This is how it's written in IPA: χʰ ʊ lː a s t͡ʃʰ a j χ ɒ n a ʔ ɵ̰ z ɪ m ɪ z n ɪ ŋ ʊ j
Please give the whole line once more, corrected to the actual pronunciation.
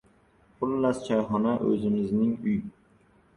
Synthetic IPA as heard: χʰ ʊ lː a s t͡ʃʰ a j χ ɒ n a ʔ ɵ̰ z ɪ m ɪ z n ɪ ŋ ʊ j